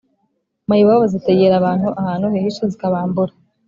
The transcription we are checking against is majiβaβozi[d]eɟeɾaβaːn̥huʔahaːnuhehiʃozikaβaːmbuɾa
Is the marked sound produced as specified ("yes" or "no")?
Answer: no